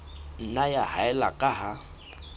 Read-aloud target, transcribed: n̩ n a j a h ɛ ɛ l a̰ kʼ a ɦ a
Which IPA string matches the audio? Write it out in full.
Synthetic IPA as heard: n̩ n a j a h a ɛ l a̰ kʼ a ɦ a